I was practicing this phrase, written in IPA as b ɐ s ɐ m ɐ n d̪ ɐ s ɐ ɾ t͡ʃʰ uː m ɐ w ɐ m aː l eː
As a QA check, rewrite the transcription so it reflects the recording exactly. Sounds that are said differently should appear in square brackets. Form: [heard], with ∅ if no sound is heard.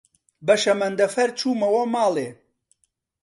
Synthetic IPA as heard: b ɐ [ʃ] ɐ m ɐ n d̪ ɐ [f] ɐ ɾ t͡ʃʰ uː m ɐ w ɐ m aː l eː